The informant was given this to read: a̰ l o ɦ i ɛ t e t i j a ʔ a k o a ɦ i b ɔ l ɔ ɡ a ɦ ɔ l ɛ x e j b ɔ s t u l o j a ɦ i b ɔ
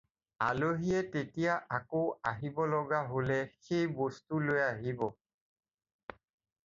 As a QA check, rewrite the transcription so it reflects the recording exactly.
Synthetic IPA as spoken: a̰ l o ɦ i ɛ t e t i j a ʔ a k o a ɦ i b ɔ l ɔ ɡ a ɦ o l ɛ x e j b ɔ s t u l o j a ɦ i b ɔ